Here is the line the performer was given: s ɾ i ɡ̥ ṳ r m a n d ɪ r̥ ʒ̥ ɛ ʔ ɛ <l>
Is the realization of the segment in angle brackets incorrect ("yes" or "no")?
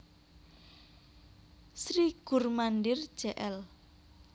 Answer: no